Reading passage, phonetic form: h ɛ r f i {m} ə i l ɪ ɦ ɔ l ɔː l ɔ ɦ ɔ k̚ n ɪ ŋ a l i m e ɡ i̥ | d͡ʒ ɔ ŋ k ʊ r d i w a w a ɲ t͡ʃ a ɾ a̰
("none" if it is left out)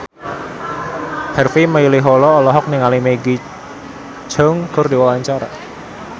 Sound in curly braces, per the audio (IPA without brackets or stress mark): m